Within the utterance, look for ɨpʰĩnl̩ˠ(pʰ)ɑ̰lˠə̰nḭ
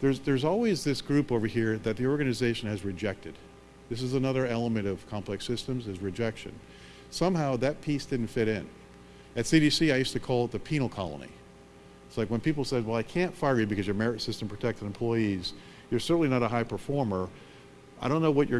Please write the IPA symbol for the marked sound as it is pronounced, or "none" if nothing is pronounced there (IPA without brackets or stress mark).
kʰ